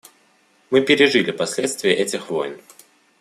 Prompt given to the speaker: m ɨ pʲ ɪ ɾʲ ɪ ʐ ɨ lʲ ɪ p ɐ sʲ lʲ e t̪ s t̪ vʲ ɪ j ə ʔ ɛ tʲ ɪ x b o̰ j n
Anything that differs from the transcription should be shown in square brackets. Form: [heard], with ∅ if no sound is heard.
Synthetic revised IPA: m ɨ pʲ ɪ ɾʲ ɪ ʐ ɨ lʲ ɪ p ɐ sʲ lʲ e t̪ s t̪ vʲ ɪ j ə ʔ ɛ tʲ ɪ x [v] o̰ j n